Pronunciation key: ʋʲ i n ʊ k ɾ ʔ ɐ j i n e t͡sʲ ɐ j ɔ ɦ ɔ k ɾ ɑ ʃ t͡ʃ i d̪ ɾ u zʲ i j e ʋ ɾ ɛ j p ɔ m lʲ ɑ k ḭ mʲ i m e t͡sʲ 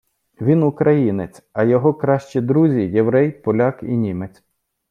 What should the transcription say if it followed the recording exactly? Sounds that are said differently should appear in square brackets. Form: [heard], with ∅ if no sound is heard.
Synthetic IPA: ʋʲ i n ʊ k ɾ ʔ ɐ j i n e t͡sʲ ɐ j ɔ ɦ ɔ k ɾ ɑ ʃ t͡ʃ i d̪ ɾ u zʲ i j e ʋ ɾ ɛ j p ɔ [∅] lʲ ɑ k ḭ [nʲ] i m e t͡sʲ